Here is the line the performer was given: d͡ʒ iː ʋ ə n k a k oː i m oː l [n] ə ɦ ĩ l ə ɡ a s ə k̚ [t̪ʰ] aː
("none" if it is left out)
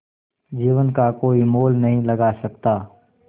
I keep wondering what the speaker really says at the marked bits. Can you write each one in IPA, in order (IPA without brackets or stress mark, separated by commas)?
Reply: n, t̪